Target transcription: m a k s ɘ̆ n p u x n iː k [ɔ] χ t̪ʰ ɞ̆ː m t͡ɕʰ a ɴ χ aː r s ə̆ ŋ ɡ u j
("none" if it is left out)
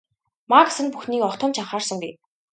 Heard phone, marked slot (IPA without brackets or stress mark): ɔ